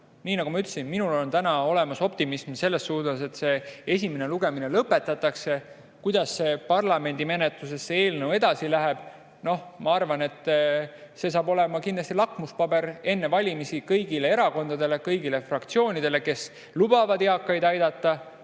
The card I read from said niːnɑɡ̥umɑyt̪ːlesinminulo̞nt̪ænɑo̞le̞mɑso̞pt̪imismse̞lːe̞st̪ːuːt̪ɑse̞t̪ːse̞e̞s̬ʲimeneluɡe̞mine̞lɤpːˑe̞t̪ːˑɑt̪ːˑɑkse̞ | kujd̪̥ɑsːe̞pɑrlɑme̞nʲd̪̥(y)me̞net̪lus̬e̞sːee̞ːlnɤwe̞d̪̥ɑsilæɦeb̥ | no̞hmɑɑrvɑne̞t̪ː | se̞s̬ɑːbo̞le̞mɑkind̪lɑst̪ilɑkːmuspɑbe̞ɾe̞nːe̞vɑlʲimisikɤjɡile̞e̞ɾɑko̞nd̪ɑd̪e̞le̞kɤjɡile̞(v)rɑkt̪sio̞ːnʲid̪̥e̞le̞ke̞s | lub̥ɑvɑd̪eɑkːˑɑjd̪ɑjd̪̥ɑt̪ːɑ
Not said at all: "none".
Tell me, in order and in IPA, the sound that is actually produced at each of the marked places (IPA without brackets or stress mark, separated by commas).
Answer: i, f